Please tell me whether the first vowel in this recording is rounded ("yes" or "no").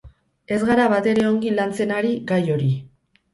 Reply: no